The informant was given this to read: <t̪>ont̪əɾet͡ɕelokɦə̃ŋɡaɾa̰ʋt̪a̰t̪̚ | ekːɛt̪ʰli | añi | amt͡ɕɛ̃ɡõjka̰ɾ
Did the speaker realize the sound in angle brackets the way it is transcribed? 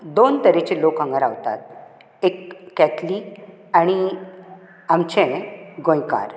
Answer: no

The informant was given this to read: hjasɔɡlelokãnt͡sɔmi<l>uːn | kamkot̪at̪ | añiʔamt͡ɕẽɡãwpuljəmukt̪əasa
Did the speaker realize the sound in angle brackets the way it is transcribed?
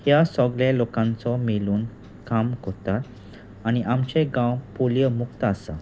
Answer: yes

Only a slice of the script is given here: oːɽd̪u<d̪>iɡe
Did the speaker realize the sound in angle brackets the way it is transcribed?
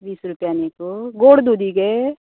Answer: yes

